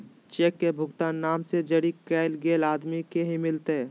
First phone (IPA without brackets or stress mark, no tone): t͡ʃ